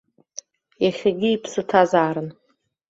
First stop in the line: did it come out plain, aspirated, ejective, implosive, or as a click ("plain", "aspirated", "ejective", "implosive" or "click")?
plain